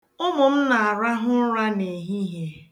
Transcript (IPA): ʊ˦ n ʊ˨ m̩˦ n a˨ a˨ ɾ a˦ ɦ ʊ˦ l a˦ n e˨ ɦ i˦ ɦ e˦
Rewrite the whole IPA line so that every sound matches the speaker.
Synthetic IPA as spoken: ʊ˦ m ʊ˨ m̩˦ n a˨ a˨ ɾ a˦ ɦ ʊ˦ ɾ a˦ n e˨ ɦ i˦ ɦ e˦